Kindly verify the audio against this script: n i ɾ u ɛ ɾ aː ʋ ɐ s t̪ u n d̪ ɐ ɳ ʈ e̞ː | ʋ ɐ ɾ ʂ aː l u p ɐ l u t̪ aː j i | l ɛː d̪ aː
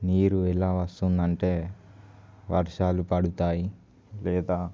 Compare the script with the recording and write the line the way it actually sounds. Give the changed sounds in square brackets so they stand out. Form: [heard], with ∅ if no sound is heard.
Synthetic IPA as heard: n [iː] ɾ u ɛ [l] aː ʋ ɐ s t̪ u n d̪ ɐ ɳ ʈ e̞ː | ʋ ɐ ɾ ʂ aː l u p ɐ [ɽ] u t̪ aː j i | l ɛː d̪ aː